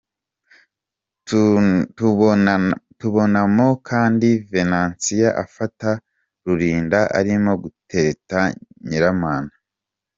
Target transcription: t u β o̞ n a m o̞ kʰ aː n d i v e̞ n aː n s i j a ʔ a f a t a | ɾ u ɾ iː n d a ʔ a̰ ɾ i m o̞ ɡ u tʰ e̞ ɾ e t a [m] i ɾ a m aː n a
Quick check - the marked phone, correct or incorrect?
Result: incorrect